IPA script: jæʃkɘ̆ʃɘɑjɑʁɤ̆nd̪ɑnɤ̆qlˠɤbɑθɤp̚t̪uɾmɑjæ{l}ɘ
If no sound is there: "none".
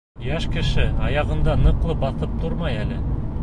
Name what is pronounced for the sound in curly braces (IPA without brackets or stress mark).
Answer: l